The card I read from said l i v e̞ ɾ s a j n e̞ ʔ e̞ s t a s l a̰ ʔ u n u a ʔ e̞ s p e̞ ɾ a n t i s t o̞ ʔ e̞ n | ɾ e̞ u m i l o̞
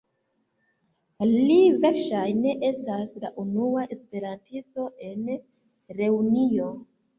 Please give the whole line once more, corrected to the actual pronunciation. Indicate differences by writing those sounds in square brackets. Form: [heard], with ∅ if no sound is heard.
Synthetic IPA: l i v e̞ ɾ [ʃ] a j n e̞ ʔ e̞ s t a s l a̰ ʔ u n u a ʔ e̞ s p e̞ ɾ a n t i s t o̞ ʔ e̞ n | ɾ e̞ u [n] i [∅] o̞